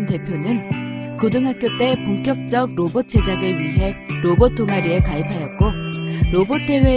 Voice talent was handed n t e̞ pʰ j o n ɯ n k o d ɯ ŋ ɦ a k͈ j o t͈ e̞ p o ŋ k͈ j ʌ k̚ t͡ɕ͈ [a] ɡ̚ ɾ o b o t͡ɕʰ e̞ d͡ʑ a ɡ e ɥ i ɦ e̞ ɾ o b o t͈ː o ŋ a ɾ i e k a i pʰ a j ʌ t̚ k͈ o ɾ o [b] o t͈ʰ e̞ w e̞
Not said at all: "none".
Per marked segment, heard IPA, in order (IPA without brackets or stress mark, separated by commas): ʌ, b